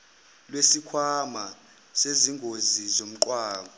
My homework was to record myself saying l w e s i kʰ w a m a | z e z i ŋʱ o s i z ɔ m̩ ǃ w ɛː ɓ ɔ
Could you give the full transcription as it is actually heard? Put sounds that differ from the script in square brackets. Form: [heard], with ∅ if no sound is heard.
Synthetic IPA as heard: l w e s i kʰ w a m a | [s] e z i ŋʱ o [z] i z [o] m̩ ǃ w [aː] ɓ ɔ